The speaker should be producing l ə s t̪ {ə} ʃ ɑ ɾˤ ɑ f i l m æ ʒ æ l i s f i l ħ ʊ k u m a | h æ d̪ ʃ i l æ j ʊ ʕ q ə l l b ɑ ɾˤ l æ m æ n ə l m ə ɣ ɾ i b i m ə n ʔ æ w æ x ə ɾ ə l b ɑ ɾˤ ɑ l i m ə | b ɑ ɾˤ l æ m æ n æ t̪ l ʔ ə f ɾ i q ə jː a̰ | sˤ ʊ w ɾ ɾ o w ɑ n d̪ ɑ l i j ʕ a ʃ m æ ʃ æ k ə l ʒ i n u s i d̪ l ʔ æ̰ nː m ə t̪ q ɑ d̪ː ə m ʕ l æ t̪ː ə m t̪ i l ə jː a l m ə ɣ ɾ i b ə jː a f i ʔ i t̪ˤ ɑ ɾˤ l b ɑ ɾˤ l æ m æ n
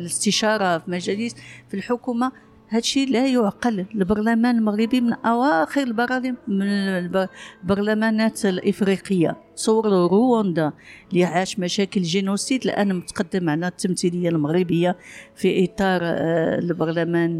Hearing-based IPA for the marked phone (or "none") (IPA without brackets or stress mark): ə